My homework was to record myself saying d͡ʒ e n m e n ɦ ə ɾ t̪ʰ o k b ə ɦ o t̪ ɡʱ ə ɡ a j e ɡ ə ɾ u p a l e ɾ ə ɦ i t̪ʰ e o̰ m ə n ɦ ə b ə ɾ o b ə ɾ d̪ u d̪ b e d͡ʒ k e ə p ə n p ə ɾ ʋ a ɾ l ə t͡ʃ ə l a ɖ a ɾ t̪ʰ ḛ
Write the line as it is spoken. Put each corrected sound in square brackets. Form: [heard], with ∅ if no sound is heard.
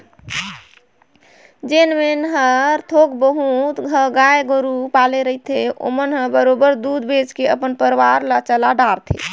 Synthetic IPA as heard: d͡ʒ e n m e n ɦ ə ɾ t̪ʰ o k b ə ɦ [u] t̪ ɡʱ ə ɡ a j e ɡ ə ɾ u p a l e ɾ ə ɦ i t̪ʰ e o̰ m ə n ɦ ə b ə ɾ o b ə ɾ d̪ u d̪ b e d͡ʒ k e ə p ə n p ə ɾ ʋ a ɾ l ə t͡ʃ ə l a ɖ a ɾ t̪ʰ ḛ